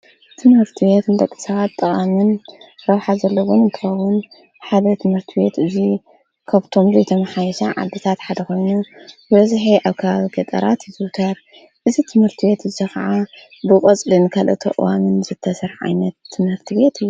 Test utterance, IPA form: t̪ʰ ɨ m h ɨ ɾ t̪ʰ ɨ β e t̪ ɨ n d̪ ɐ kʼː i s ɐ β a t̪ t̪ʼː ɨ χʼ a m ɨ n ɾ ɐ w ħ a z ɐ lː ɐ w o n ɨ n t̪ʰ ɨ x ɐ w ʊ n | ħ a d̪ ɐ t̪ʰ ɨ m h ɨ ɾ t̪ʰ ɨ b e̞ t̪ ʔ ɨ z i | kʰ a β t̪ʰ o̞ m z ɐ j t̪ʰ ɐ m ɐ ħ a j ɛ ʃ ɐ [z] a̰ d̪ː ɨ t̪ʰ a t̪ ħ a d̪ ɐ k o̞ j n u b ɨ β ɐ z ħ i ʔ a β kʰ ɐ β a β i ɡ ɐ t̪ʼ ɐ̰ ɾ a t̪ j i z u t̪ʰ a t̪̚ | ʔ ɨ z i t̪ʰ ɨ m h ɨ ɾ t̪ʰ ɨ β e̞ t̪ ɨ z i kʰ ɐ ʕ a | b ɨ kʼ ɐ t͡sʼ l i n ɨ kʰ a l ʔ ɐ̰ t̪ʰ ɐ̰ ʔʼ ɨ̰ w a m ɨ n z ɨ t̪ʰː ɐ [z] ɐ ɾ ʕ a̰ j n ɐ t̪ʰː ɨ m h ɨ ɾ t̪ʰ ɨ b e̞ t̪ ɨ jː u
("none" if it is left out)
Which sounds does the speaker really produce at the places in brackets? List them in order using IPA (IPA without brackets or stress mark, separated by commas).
ʕ, s